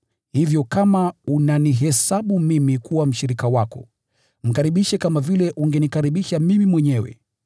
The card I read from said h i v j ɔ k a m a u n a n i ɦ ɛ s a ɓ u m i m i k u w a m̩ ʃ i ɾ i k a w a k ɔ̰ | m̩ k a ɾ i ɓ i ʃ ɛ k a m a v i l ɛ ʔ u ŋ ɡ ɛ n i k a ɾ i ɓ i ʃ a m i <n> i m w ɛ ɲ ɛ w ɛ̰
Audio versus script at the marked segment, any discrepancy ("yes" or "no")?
yes